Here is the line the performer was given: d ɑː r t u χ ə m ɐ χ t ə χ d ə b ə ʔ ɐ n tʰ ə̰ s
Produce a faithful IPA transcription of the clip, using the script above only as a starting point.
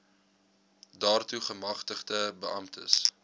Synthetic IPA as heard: d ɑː r t u χ ə m ɐ χ t ə χ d ə b ə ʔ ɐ m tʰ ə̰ s